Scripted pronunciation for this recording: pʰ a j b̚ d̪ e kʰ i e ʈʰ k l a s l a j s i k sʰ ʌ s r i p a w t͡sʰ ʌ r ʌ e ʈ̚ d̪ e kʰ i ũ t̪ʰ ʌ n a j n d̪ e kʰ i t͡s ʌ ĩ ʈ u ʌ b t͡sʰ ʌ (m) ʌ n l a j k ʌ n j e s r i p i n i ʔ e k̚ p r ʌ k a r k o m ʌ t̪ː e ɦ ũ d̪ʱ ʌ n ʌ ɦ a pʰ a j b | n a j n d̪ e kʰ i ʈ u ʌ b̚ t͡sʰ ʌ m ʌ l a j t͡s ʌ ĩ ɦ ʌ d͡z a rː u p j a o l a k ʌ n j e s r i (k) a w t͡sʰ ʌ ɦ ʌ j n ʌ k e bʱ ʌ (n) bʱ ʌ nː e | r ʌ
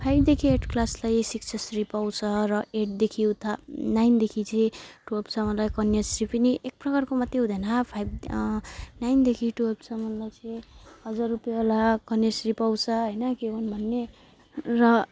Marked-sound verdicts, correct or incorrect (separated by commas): correct, incorrect, correct